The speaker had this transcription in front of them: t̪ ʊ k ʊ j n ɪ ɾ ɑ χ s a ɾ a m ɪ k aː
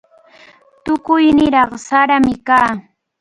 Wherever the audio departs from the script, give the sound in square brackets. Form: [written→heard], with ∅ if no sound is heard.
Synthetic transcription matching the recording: t̪ ʊ k ʊ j n ɪ ɾ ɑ χ s a ɾ a m ɪ k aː